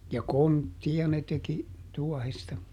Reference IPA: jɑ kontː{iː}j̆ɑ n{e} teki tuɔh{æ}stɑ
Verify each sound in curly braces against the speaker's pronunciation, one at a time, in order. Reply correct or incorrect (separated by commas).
incorrect, correct, incorrect